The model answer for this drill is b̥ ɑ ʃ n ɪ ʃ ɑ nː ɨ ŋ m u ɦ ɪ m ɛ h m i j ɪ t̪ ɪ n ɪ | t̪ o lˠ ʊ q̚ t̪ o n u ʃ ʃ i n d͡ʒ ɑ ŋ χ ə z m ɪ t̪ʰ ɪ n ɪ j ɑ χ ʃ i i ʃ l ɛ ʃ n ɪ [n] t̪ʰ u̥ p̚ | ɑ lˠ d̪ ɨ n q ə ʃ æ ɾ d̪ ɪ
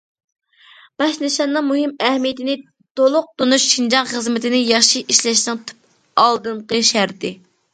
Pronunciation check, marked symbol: incorrect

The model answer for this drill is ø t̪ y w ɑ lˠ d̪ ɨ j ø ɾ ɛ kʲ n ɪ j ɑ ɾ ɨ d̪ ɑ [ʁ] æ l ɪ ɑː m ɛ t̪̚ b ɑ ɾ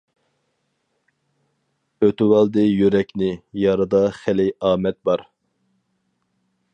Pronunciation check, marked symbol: incorrect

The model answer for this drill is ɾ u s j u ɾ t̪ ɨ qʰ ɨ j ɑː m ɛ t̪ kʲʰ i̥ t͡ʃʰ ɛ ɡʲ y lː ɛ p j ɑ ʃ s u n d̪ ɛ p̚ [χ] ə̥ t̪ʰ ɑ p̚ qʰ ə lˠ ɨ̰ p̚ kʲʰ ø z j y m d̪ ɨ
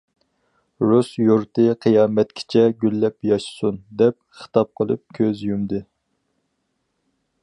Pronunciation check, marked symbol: correct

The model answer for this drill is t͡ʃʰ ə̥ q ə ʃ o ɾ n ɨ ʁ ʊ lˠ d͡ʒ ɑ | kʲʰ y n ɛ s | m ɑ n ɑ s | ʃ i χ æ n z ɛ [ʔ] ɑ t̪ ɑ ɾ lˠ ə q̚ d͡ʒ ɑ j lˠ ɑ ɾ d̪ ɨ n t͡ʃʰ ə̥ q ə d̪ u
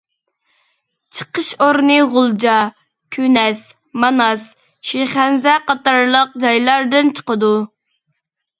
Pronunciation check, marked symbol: incorrect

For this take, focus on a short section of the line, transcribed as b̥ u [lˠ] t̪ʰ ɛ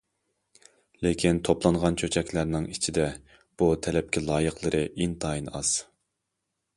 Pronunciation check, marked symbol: incorrect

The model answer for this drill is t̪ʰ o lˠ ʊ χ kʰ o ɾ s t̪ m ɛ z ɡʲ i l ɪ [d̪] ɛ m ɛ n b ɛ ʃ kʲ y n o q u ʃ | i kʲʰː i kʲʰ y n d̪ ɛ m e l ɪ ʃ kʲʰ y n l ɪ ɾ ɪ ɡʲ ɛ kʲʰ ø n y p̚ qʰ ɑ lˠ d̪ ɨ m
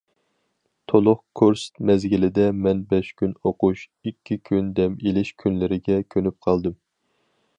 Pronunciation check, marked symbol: correct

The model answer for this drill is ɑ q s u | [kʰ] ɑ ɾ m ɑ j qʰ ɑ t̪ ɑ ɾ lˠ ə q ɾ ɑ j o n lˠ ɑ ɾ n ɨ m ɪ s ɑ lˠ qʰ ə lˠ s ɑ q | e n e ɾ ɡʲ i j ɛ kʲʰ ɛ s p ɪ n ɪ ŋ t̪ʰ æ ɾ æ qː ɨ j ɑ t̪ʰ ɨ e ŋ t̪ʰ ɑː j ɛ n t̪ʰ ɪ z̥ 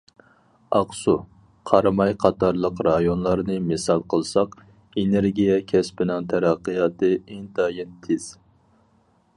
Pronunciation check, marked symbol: incorrect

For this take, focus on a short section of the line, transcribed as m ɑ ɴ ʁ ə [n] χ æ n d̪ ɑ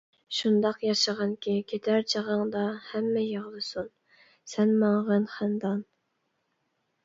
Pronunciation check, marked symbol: correct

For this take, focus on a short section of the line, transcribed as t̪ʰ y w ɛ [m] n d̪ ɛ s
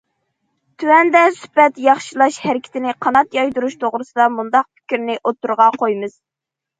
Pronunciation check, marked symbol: incorrect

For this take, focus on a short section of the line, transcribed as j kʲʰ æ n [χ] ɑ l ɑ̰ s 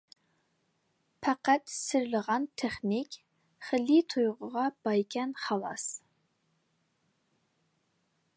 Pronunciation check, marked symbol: correct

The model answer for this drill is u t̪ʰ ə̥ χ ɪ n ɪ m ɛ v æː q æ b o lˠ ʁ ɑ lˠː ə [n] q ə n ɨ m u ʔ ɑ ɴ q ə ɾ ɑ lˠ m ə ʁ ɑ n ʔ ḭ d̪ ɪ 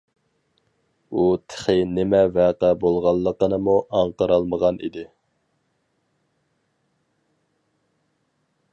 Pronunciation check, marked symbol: incorrect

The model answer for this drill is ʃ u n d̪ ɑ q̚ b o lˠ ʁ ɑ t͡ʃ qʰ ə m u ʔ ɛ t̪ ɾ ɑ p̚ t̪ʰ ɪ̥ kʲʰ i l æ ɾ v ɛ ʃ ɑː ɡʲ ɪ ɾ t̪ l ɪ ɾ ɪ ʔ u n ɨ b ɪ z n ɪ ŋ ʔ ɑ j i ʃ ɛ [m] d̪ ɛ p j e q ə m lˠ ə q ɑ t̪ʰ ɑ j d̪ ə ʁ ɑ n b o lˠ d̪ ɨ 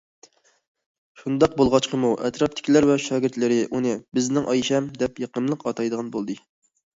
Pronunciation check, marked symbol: correct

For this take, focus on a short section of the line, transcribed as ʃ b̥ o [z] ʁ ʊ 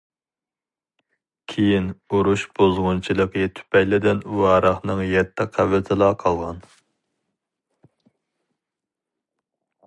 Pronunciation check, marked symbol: correct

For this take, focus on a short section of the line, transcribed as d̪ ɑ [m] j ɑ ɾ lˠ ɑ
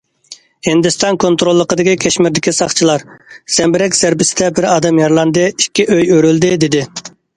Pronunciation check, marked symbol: correct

